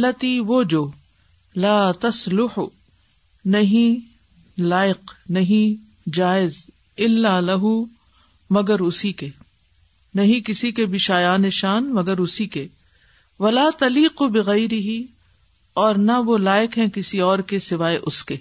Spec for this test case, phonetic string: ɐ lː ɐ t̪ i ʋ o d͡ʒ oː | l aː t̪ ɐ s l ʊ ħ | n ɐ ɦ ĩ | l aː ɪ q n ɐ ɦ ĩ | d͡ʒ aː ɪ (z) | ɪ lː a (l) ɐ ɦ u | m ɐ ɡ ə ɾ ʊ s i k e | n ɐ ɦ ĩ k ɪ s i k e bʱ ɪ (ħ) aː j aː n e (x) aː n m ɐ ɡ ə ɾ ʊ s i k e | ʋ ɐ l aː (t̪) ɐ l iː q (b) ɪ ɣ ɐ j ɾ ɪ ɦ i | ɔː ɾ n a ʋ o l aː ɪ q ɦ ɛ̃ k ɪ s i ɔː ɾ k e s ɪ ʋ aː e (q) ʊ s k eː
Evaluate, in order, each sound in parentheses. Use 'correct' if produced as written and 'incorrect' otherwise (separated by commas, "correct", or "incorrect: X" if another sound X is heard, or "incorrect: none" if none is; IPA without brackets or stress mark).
correct, correct, incorrect: ʃ, incorrect: ʃ, correct, correct, incorrect: ʔ